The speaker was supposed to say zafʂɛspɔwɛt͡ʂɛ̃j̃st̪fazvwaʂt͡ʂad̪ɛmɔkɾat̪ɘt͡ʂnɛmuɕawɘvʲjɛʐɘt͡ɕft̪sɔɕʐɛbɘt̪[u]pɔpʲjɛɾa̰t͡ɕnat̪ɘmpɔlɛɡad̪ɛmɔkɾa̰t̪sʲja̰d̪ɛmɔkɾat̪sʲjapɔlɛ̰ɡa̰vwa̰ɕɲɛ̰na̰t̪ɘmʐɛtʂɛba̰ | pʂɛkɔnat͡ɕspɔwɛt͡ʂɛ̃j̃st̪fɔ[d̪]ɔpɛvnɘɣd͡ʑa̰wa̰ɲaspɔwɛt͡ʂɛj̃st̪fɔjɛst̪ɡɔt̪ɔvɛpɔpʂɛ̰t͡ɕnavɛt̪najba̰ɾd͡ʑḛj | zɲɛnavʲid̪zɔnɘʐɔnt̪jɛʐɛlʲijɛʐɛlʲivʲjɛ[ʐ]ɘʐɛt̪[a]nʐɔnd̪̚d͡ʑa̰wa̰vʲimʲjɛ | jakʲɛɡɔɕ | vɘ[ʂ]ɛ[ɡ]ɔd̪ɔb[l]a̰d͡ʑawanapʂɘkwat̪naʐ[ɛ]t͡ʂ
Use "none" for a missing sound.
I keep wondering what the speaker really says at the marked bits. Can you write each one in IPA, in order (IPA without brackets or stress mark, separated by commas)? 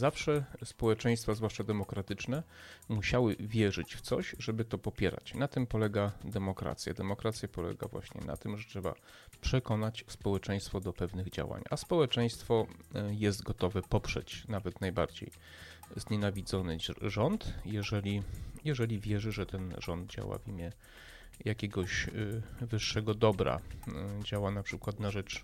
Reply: ɔ, d̪, ʐ, ɛ, ʂː, ɡ, ɾ, ɛ